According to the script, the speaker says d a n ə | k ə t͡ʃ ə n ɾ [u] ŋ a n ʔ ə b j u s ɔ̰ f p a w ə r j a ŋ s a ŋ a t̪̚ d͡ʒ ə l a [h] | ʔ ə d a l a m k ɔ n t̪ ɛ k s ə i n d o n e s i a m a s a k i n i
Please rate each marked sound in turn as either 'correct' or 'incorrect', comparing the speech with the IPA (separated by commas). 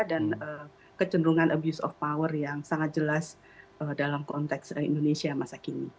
correct, incorrect